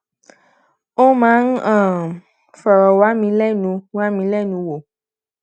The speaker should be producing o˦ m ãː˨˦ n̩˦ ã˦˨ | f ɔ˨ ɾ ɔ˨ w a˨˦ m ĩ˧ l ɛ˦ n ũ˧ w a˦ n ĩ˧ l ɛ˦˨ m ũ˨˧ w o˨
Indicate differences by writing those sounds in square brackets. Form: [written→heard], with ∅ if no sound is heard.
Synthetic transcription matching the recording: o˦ m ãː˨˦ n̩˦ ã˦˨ | f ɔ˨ ɾ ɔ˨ w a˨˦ m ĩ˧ l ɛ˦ n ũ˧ w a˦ [n→m] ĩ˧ l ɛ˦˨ [m→n] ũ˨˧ w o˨